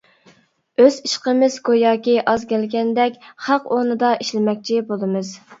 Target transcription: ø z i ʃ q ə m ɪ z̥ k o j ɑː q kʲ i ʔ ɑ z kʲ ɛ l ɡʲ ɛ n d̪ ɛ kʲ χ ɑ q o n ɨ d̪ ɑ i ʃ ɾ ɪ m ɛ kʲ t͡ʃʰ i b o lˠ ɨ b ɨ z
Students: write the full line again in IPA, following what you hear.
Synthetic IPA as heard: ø z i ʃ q ə m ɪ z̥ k o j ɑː kʲ i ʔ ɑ z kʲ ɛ l ɡʲ ɛ n d̪ ɛ kʲ χ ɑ q o n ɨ d̪ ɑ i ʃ l ɪ m ɛ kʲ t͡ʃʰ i b o lˠ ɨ m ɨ z

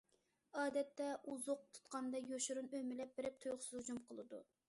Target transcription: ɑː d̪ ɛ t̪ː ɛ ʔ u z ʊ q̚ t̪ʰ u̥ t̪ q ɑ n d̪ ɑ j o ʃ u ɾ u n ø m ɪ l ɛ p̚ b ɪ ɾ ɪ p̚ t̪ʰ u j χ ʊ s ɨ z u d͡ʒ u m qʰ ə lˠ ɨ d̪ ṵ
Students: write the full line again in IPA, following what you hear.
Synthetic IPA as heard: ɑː d̪ ɛ t̪ː ɛ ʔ u z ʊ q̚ t̪ʰ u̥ t̪ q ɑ n d̪ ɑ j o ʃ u ɾ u n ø m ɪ l ɛ p̚ b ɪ ɾ ɪ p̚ t̪ʰ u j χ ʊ s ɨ z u d͡ʒ u m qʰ ə lˠ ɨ d̪ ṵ

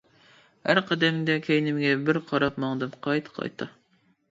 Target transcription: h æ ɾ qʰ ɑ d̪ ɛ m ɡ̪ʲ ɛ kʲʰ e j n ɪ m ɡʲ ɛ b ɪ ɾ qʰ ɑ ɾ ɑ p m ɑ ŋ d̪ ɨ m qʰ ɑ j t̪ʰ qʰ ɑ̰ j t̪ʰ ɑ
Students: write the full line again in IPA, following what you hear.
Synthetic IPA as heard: h æ ɾ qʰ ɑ d̪ ɛ m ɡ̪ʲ ɛ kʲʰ e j n ɪ m ɡʲ ɛ b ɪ ɾ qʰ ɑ ɾ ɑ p m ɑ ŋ d̪ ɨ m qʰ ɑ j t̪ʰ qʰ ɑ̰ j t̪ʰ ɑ

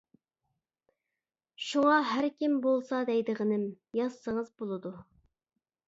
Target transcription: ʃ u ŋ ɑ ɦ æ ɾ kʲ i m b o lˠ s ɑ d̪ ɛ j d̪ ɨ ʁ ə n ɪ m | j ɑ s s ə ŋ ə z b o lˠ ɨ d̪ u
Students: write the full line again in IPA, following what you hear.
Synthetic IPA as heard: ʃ u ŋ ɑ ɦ æ ɾ kʲ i m b o lˠ s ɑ d̪ ɛ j d̪ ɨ ʁ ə n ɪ m | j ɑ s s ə ŋ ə z b o lˠ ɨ d̪ u

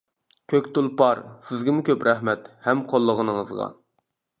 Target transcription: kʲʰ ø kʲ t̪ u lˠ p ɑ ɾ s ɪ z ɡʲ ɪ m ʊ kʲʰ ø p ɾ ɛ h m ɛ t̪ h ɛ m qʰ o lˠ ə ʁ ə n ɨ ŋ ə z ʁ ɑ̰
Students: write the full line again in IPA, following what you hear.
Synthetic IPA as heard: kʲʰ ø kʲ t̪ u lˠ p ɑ ɾ s ɪ z ɡʲ ɪ m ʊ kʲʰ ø p ɾ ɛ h m ɛ t̪ h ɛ m qʰ o lˠː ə ʁ ə n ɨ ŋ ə z ʁ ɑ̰

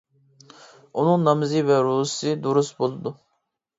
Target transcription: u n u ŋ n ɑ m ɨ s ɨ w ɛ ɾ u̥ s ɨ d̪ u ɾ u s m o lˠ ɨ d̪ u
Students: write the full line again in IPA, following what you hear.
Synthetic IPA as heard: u n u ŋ n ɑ m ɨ z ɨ v ɛ ɾ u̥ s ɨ d̪ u ɾ u s b o lˠ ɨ d̪ u

